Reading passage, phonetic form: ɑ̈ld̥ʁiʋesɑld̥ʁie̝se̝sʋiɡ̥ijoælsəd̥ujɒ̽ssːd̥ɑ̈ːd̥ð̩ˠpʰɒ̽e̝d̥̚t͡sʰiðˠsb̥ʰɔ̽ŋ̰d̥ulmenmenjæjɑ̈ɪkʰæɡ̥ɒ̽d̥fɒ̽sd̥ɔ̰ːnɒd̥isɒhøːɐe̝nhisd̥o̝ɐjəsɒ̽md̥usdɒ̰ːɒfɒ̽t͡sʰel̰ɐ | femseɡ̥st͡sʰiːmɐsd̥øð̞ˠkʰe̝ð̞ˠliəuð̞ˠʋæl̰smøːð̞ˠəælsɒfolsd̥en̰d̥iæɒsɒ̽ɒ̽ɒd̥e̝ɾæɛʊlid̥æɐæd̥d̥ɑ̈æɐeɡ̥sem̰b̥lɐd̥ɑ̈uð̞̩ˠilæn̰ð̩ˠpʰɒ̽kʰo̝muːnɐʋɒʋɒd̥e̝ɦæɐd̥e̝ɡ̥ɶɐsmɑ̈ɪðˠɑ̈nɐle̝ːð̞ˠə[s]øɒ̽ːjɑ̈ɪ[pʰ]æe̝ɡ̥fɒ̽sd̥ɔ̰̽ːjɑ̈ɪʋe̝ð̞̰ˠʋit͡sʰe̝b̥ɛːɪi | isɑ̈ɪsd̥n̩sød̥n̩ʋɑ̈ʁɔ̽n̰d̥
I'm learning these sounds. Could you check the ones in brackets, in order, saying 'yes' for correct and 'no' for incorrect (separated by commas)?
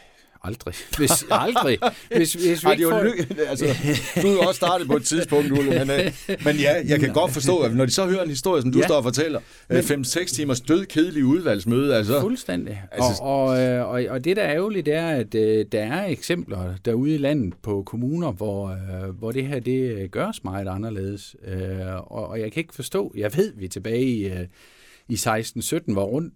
yes, no